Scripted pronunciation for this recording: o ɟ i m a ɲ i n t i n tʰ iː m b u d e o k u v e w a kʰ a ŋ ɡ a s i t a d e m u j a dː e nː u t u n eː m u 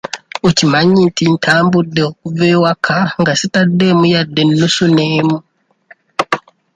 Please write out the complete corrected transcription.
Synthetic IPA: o c i m a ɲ i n t i n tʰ aː m b u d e o k u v e w a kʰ a ŋ ɡ a s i t a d e m u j a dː e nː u s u n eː m u